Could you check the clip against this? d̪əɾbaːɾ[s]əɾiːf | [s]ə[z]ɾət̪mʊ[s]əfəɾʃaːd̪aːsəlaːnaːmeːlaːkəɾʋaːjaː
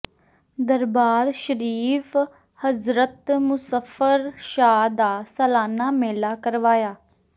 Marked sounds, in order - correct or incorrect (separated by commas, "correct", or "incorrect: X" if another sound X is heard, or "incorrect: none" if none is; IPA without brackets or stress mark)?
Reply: incorrect: ʃ, incorrect: h, correct, correct